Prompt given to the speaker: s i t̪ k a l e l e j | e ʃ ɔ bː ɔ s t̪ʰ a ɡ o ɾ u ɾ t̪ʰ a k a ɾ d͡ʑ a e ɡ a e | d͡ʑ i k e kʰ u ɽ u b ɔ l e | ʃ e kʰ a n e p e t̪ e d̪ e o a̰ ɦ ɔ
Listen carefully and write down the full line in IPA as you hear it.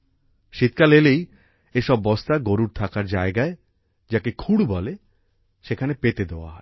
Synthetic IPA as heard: ʃ i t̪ k a l e l e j | e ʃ ɔ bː ɔ s t̪ a ɡ o ɾ u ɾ t̪ʰ a k a ɾ d͡ʑ a e ɡ a e | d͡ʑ a k e kʰ u ɽ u b ɔ l e | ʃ e kʰ a n e p e t̪ e d̪ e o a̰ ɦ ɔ